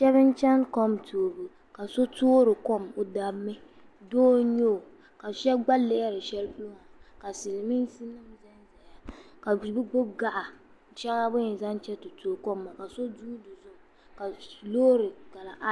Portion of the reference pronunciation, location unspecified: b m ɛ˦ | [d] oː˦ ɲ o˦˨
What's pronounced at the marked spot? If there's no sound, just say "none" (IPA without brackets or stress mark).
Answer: d